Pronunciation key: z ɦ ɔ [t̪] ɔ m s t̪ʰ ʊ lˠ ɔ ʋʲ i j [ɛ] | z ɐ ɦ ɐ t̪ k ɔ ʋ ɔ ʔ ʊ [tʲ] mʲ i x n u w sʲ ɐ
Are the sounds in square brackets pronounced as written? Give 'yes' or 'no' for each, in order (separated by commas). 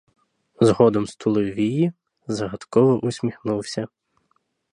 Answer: no, no, no